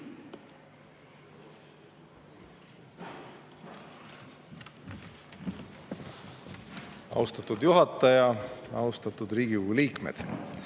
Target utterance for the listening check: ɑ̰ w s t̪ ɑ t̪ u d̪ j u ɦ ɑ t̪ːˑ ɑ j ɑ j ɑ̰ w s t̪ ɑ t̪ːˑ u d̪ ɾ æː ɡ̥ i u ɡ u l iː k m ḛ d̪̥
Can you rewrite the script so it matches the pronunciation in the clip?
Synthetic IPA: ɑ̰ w s t̪ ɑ t̪ u d̪ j u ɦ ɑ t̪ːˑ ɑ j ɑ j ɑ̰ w s t̪ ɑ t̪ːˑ u d̪ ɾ iː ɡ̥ i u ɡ u l iː k m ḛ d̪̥